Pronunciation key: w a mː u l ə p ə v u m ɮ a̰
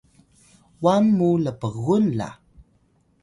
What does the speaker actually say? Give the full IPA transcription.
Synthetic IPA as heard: w a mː u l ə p ə ɣ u n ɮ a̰